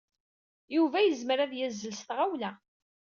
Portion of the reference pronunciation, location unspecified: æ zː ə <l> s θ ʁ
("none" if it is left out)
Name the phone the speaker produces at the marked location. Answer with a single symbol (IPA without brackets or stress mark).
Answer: l